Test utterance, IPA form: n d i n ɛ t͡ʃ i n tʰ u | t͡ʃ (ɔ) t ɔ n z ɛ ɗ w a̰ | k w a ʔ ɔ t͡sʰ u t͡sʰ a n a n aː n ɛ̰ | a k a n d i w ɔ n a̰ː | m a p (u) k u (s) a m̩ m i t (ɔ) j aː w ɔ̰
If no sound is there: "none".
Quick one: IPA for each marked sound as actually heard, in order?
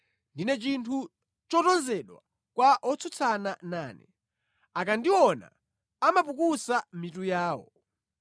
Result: ɔ, u, s, u

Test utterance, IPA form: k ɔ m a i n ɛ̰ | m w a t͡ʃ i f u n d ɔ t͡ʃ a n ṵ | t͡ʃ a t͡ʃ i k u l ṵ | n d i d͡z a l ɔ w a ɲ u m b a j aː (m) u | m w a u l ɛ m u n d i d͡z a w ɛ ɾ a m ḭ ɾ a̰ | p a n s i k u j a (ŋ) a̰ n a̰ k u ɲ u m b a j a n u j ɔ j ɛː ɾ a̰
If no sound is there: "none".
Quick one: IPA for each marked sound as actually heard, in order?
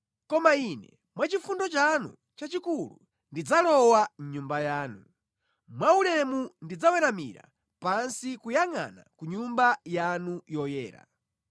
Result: n, ŋ

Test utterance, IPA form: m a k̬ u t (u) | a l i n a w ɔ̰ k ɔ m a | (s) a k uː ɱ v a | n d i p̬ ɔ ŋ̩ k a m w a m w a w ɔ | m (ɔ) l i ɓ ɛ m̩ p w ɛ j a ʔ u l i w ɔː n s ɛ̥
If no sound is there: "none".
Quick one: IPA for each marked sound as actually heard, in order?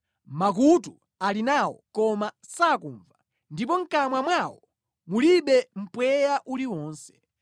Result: u, s, u

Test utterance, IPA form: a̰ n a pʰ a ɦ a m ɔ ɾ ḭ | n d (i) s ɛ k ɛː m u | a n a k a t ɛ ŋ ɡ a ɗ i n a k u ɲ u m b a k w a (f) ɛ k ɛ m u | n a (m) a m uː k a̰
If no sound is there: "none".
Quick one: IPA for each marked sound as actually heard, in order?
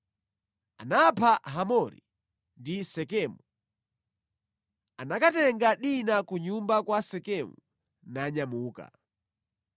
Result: i, s, ɲ

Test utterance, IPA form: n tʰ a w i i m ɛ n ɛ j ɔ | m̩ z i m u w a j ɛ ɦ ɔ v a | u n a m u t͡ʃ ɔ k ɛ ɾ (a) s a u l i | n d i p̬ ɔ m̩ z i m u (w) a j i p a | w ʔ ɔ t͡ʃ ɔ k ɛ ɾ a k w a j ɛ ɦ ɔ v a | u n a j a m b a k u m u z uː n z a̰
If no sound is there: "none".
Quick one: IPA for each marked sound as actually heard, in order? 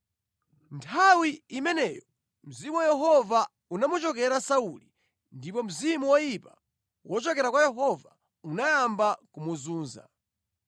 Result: a, w

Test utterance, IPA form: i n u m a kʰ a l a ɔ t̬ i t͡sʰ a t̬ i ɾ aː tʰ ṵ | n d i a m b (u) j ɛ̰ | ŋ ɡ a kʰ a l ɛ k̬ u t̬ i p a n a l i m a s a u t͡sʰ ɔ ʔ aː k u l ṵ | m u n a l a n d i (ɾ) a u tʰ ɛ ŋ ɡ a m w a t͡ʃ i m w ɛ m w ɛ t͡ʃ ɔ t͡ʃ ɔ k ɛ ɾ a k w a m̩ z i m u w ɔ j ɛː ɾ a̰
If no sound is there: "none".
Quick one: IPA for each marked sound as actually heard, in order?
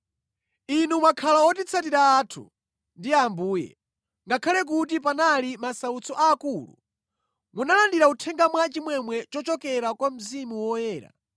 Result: uː, ɾ

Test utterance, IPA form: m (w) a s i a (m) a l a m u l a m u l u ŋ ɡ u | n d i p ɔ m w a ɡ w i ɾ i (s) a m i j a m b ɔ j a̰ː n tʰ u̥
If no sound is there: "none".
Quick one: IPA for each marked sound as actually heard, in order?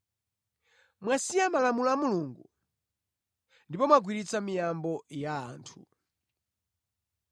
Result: w, m, t͡s

